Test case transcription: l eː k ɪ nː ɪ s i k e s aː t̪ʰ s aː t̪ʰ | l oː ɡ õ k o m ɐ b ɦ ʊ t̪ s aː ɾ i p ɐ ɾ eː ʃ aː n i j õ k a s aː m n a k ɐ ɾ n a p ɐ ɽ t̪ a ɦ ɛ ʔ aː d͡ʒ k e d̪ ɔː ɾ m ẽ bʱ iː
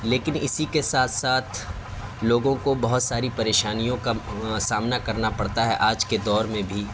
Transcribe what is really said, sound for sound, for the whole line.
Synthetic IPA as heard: l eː k ɪ n ɪ s i k e s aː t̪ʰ s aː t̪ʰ | l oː ɡ õ k o b ɐ ɦ ʊ t̪ s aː ɾ i p ɐ ɾ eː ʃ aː n i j õ k a s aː m n a k ɐ ɾ n a p ɐ ɽ t̪ a ɦ ɛ ʔ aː d͡ʒ k e d̪ ɔː ɾ m ẽ bʱ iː